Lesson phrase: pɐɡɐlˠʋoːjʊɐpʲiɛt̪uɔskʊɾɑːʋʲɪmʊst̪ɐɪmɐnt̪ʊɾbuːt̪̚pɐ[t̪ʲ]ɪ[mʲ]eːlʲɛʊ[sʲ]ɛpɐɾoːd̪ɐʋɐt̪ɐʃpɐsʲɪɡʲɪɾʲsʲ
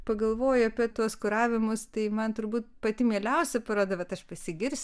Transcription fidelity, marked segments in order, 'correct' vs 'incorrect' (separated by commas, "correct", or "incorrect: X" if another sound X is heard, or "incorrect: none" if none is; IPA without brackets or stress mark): correct, correct, correct